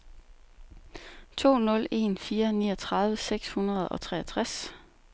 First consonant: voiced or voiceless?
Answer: voiceless